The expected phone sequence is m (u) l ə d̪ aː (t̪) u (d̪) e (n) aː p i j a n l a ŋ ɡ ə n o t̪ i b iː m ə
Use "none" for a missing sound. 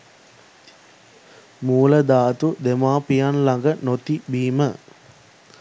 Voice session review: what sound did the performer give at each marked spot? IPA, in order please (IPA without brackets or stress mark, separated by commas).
uː, t̪, d̪, m